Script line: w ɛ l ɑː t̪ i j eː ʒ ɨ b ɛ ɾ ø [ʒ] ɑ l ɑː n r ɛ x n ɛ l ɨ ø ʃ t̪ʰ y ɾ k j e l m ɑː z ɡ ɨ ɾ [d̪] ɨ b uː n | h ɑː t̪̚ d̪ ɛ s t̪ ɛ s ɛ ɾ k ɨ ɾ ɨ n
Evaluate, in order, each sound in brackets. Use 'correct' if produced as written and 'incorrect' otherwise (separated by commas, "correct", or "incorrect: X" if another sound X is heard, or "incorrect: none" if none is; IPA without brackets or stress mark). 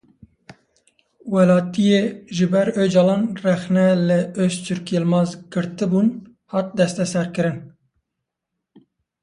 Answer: incorrect: d͡ʒ, incorrect: t̪